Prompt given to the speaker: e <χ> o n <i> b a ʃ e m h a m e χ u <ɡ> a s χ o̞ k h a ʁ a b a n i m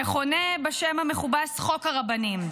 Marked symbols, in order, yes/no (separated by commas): yes, no, no